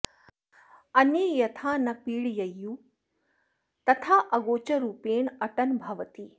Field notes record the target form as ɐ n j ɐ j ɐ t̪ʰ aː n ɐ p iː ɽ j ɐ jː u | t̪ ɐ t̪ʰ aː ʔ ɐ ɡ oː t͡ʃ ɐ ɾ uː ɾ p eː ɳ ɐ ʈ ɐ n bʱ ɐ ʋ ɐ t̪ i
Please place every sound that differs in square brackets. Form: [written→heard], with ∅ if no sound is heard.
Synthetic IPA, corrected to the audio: ɐ n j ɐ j ɐ t̪ʰ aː n ɐ p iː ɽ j ɐ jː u | t̪ ɐ t̪ʰ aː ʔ ɐ ɡ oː t͡ʃ ɐ ɾ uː [ɾ→∅] p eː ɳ ɐ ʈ ɐ n bʱ ɐ ʋ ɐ t̪ i